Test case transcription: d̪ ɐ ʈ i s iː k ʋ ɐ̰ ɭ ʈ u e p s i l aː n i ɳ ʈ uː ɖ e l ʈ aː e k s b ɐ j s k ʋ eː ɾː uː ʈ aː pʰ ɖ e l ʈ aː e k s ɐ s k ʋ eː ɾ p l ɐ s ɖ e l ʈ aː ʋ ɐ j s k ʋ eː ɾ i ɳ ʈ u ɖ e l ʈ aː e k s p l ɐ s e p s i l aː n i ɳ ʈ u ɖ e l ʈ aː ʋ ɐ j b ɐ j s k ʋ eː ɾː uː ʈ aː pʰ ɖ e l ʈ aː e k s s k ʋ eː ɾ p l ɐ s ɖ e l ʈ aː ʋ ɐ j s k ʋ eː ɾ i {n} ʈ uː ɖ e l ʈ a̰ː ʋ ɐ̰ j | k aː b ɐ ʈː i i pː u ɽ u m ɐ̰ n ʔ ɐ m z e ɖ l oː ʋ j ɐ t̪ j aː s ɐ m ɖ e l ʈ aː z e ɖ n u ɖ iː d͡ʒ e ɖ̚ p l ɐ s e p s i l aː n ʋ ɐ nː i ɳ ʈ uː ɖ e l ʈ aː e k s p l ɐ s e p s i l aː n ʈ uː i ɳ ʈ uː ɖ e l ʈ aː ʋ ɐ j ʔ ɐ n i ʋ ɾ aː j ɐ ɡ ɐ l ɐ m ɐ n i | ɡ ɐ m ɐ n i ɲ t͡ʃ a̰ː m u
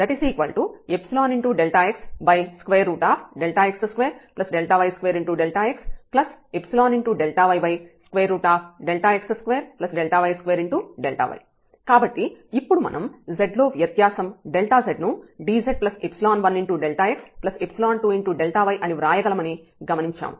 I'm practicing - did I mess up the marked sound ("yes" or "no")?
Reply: yes